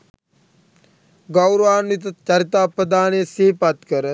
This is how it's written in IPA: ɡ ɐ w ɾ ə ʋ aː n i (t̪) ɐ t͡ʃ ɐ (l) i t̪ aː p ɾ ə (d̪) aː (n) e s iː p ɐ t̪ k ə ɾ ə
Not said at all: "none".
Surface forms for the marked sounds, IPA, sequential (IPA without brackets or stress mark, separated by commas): t̪, ɾ, d̪, n